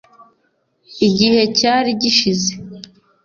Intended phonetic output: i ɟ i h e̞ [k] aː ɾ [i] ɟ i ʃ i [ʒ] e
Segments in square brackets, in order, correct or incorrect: incorrect: c, correct, incorrect: z

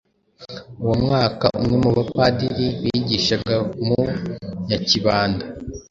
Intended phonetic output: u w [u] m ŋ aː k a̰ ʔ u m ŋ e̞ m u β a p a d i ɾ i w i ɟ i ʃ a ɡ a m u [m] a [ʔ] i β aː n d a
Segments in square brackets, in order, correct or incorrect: incorrect: o, incorrect: ɲ, incorrect: c

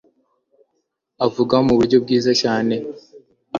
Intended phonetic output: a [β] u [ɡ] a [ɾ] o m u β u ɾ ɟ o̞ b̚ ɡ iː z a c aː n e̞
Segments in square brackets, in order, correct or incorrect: incorrect: v, correct, incorrect: none

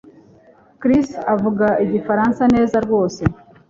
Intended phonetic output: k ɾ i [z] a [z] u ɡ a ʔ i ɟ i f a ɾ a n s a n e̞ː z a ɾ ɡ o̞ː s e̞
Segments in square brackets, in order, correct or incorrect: incorrect: s, incorrect: v

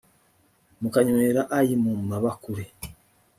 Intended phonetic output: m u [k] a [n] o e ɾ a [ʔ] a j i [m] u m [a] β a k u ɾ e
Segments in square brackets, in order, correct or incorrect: correct, incorrect: ɲ, correct, correct, correct

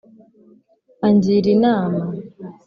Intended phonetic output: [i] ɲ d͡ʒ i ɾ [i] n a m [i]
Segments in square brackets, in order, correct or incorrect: incorrect: a, correct, incorrect: a

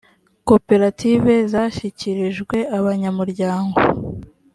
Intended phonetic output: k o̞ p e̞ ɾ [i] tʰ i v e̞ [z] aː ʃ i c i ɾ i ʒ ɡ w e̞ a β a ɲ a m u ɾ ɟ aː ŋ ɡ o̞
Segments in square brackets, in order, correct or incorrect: incorrect: a, correct

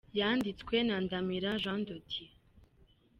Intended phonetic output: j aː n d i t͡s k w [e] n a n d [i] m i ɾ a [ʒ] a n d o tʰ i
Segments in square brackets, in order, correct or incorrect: correct, incorrect: a, correct

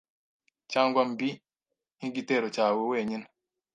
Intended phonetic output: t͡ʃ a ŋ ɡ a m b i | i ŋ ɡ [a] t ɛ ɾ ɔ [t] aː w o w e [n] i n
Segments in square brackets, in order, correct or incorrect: incorrect: i, incorrect: t͡ʃ, incorrect: ɲ

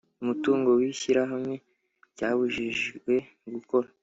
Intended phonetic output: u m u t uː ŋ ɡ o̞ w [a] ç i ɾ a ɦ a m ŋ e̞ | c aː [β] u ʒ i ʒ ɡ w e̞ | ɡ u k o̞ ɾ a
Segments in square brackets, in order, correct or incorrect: incorrect: i, correct

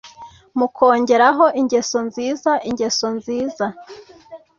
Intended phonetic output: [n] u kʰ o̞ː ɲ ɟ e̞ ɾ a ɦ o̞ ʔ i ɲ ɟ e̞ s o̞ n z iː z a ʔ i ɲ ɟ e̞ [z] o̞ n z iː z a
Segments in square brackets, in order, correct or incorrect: incorrect: m, incorrect: s

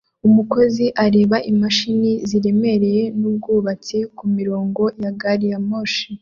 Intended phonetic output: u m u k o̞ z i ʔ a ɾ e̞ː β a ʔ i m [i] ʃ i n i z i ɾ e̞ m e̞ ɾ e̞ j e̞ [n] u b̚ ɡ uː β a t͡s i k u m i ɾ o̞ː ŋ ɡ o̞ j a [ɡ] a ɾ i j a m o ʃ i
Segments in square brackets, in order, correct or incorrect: incorrect: a, correct, correct

